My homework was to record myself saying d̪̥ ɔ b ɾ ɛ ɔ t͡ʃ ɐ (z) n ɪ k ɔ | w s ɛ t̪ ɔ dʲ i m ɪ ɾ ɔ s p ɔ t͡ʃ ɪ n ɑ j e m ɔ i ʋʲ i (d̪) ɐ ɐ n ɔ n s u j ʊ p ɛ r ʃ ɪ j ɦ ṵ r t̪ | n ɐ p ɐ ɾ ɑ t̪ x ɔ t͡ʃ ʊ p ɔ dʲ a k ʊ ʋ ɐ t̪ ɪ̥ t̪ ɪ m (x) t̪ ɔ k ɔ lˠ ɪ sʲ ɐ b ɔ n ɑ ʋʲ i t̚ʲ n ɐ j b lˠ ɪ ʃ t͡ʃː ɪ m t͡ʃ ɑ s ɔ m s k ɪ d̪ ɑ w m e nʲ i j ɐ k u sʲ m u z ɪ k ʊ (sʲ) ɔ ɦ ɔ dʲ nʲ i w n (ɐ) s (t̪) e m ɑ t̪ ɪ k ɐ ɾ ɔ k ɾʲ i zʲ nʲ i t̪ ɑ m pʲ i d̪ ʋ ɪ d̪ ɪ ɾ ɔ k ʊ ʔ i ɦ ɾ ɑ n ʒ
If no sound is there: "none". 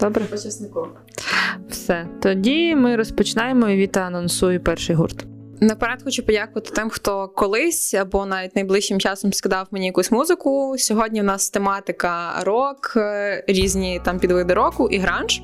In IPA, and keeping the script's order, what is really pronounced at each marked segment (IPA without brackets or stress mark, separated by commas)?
s, t̪, x, sʲ, ɑ, t̪